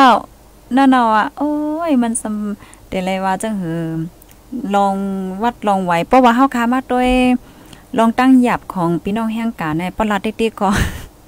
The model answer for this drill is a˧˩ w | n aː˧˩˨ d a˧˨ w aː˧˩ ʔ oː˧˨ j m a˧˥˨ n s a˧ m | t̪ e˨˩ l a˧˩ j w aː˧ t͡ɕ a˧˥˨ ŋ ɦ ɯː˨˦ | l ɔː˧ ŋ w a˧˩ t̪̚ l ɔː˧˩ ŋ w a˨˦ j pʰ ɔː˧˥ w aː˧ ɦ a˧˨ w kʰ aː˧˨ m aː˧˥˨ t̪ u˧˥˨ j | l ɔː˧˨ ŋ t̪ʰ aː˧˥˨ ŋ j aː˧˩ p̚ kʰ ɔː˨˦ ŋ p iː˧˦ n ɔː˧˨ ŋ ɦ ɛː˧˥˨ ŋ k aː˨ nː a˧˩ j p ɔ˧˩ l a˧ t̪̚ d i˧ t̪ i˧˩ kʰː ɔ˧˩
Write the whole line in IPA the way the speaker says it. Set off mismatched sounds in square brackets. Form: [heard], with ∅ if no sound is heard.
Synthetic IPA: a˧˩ w | n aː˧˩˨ [n] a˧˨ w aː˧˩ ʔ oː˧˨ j m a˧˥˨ n s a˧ m | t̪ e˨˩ l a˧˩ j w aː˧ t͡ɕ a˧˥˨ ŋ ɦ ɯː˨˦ | l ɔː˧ ŋ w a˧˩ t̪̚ l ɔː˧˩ ŋ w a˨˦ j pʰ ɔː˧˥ w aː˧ ɦ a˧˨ w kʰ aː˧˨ m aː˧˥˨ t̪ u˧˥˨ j | l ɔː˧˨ ŋ [t̪] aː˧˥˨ ŋ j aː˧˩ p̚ kʰ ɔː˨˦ ŋ p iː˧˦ n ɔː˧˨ ŋ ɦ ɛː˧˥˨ ŋ k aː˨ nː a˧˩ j p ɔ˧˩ l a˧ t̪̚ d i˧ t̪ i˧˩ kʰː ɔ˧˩